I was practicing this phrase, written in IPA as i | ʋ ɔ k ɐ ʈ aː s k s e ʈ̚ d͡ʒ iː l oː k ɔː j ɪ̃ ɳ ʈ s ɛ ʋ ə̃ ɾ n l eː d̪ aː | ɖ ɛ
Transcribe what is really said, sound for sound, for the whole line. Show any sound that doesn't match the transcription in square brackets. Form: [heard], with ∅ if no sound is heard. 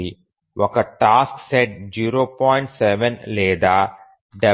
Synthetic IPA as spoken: i | ʋ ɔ k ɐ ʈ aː s k s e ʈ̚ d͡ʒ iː [ɾ] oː [p] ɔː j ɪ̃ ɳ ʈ s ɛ ʋ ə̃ [∅] n l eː d̪ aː | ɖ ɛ